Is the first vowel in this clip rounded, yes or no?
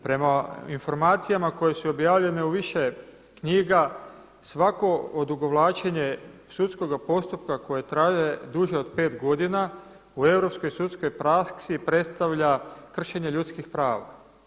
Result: no